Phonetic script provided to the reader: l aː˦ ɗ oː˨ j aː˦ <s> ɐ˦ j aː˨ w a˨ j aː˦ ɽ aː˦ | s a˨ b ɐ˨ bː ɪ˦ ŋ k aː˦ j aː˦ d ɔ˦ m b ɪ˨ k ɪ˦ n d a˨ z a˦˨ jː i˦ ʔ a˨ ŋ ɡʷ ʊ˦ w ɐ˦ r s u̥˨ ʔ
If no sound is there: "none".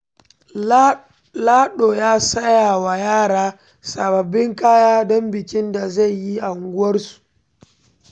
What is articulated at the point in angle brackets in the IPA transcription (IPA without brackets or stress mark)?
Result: s